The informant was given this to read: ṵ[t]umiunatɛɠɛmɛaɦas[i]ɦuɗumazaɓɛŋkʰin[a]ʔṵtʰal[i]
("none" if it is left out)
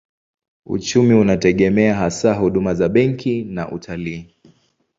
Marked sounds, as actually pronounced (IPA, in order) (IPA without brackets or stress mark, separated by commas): t͡ʃ, a, a, iː